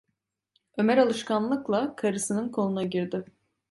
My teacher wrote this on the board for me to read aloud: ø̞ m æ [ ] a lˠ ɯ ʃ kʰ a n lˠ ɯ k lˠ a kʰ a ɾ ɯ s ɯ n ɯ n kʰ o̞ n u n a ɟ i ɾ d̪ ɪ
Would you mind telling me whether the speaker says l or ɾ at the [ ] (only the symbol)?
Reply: ɾ